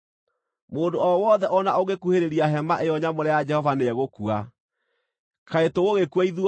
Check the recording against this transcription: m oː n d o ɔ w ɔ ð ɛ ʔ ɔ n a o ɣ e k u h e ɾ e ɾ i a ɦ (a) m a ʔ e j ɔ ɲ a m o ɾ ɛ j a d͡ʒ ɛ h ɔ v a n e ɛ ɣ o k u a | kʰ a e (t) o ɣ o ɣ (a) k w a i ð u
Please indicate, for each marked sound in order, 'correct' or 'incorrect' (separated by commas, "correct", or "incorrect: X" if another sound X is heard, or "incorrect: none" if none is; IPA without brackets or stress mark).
incorrect: ɛ, correct, incorrect: e